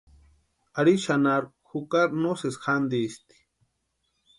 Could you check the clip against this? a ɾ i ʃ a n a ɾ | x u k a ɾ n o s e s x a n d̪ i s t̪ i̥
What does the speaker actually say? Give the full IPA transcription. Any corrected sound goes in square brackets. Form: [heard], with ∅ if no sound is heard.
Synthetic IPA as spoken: a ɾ i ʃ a n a ɾ | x u k a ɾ n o s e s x a n d̪ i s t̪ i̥